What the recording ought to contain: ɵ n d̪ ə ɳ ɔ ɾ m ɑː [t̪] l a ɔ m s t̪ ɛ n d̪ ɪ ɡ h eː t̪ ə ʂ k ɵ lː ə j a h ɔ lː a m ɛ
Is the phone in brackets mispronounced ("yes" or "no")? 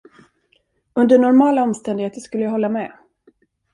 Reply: yes